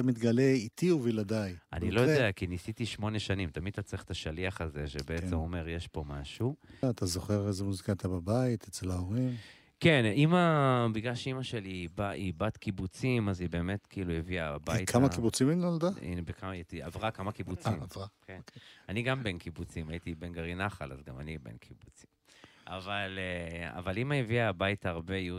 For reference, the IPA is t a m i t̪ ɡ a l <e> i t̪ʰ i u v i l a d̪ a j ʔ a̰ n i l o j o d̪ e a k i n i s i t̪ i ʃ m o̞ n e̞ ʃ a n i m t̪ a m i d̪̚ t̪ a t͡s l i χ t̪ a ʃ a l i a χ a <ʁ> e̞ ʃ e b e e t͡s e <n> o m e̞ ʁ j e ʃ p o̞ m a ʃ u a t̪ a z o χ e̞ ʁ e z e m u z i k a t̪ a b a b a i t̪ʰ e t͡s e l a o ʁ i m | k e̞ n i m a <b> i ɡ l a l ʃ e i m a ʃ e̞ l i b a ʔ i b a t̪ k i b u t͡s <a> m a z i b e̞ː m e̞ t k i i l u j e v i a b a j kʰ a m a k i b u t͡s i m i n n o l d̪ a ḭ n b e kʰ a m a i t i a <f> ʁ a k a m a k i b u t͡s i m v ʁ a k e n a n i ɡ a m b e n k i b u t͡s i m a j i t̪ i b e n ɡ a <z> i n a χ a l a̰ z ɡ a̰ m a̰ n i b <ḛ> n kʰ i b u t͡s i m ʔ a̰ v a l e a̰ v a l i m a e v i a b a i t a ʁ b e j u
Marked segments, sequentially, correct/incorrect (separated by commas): correct, incorrect, incorrect, correct, incorrect, incorrect, incorrect, correct